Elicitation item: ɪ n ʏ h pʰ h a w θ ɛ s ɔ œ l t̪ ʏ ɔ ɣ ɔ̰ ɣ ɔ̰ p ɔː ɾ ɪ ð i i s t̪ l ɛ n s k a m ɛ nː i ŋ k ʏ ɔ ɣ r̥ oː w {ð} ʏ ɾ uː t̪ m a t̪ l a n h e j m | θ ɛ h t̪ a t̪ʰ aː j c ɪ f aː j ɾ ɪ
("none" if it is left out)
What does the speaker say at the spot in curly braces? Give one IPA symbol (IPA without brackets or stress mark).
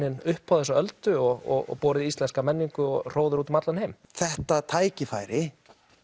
ð